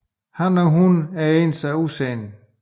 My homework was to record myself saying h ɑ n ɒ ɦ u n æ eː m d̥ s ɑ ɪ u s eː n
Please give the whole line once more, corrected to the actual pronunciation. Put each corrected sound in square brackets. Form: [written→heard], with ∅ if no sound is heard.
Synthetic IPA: h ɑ n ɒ ɦ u n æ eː [m→n] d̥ s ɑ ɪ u s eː n